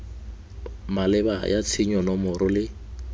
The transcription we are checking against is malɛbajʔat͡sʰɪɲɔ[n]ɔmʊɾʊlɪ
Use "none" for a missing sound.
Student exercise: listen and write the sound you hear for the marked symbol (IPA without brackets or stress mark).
n